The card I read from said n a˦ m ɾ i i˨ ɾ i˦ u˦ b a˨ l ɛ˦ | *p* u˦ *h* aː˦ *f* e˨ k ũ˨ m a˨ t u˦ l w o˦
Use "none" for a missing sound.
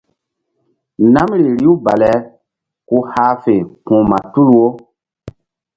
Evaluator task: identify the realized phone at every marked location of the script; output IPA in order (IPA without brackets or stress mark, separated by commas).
k, h, f